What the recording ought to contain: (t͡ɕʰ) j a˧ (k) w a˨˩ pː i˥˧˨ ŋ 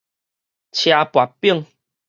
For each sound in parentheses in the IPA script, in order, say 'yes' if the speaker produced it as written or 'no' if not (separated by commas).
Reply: yes, no